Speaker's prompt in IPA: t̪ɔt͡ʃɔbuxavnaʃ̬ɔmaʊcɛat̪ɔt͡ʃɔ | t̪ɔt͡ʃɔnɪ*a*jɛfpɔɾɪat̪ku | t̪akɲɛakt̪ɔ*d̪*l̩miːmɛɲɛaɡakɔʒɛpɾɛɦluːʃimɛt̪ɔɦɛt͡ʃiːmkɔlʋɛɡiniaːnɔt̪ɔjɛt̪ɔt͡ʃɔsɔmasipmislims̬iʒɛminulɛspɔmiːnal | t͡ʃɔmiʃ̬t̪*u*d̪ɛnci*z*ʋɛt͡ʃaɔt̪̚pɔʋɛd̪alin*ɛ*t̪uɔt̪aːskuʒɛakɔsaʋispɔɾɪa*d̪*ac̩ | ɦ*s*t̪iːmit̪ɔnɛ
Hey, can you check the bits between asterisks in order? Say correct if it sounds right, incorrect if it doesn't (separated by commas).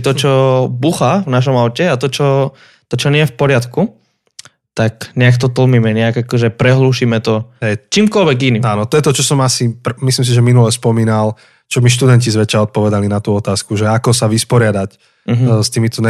incorrect, incorrect, correct, correct, incorrect, correct, correct